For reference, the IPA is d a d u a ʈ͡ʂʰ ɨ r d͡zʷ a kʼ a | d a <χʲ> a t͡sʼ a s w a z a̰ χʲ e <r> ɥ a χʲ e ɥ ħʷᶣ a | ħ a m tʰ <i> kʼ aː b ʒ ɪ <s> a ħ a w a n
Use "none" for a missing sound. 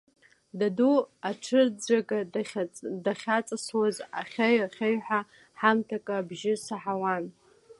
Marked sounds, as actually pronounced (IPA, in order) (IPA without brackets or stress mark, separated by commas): χʲ, none, a, s